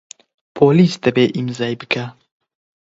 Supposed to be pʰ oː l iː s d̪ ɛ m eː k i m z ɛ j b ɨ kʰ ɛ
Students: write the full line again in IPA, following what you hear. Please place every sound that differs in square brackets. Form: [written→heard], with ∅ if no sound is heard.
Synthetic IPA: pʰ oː l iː s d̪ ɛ [m→b] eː [k→ʔ] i m z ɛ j b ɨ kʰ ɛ